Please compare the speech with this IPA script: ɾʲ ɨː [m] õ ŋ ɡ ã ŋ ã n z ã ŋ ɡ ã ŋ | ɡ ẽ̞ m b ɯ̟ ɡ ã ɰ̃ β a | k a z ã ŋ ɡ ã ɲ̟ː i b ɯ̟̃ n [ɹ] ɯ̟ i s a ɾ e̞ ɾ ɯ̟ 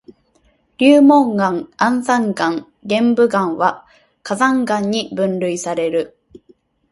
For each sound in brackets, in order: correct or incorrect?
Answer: correct, incorrect

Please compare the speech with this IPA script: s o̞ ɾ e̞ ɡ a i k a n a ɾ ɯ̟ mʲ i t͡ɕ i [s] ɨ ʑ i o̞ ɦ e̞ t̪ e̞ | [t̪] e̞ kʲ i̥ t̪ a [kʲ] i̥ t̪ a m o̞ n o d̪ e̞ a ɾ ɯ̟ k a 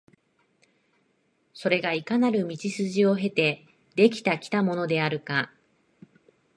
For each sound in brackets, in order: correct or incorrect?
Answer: correct, incorrect, correct

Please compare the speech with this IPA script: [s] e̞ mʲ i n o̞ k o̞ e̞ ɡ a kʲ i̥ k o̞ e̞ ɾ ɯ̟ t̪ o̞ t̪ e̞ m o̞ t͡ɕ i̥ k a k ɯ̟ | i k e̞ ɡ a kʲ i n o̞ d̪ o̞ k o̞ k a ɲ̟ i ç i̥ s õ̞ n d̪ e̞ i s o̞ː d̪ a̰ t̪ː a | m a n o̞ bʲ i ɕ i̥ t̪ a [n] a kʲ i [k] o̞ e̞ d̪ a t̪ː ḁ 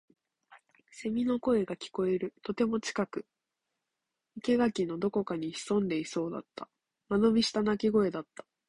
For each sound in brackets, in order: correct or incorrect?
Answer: correct, correct, incorrect

